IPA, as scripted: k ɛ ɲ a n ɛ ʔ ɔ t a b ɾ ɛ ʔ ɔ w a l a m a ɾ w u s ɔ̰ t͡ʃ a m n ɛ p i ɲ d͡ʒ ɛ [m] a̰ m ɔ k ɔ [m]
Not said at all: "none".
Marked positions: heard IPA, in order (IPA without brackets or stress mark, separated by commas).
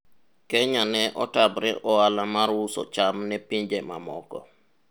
m, none